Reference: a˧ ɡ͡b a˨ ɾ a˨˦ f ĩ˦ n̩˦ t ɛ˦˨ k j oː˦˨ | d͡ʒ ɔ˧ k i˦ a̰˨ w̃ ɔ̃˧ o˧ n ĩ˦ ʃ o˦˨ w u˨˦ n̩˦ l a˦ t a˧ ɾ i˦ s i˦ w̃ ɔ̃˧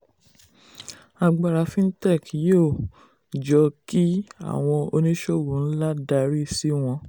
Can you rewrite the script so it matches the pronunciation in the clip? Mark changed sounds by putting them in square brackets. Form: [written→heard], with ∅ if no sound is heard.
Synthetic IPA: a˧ ɡ͡b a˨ ɾ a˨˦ f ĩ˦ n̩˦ t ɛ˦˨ k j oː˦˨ | d͡ʒ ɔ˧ k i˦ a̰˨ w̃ ɔ̃˧ o˧ n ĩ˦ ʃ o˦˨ w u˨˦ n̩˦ l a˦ [t→d] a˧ ɾ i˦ s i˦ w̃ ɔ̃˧